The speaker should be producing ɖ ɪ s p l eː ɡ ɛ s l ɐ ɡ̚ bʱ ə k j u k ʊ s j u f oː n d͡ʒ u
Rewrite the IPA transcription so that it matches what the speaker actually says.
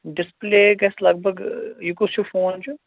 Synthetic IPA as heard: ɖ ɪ s p l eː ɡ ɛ s l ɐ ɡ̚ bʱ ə ɡ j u k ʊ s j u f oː n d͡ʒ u